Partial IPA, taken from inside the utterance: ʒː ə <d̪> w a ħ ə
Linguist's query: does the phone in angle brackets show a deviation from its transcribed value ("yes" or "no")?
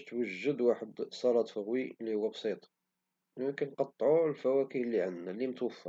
no